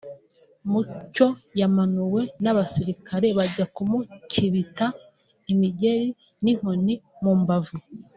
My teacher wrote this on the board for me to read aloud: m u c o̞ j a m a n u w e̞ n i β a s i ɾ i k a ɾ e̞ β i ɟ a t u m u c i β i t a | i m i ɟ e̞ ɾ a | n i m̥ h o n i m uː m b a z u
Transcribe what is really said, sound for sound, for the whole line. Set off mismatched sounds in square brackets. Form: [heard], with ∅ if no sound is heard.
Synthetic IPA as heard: m u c o̞ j a m a n u w e̞ n [a] β a s i ɾ i k a ɾ e̞ β [a] ɟ a [k] u m u c i β i t a | i m i ɟ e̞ ɾ [i] | n i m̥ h o n i m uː m b a [v] u